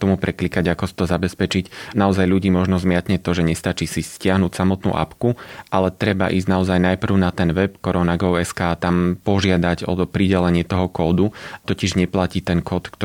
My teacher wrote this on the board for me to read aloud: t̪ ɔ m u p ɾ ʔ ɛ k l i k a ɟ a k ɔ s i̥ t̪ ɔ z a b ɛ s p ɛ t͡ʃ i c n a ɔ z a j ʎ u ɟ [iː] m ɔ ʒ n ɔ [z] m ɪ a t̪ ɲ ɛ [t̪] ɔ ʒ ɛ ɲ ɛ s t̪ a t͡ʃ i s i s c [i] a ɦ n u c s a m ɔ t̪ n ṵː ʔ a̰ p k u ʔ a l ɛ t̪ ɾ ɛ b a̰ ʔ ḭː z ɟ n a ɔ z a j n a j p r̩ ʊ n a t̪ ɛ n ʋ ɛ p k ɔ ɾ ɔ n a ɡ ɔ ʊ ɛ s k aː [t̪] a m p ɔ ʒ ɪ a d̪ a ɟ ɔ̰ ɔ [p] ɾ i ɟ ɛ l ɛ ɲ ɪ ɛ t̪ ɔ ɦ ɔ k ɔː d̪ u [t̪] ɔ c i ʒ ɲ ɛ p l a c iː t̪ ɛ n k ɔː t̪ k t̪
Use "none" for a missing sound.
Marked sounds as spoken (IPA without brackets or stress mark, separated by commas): iː, z, t̪, ɪ, t̪, p, t̪